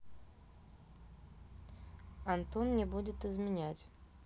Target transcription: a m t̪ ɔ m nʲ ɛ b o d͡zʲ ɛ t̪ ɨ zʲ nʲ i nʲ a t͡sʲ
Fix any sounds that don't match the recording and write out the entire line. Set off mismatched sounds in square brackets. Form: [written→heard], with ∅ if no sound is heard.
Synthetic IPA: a [m→n] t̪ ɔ [m→n] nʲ ɛ b [o→u] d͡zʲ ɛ t̪ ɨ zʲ [nʲ→mʲ] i nʲ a t͡sʲ